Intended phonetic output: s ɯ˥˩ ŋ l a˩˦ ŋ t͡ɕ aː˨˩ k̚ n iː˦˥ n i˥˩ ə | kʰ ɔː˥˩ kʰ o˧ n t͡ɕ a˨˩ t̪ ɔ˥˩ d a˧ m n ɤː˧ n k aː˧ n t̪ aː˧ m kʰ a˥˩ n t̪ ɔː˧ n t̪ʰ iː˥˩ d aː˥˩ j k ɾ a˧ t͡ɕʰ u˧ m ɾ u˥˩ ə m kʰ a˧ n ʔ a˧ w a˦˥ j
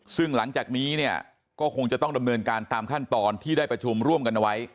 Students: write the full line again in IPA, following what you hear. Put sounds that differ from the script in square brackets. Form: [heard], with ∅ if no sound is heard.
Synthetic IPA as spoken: s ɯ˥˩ ŋ l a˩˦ ŋ t͡ɕ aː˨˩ k̚ n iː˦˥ n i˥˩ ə | [k] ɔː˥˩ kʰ o˧ [ŋ] t͡ɕ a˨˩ t̪ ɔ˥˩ d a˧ m n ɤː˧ n k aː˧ n t̪ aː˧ m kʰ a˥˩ n t̪ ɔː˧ n t̪ʰ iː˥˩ d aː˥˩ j [p] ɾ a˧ t͡ɕʰ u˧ m ɾ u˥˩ ə m [k] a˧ n ʔ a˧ w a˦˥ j